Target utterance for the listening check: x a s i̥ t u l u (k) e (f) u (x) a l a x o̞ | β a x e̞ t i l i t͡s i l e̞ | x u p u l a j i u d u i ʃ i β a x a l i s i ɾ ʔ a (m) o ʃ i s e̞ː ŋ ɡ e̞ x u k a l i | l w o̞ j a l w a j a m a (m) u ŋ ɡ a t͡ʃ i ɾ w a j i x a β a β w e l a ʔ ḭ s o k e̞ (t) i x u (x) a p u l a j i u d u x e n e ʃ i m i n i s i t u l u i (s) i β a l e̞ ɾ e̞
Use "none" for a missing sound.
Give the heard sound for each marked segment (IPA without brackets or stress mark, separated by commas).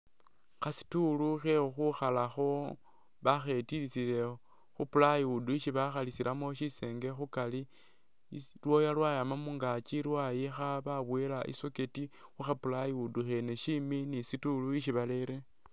x, x, x, m, m, t, x, ʃ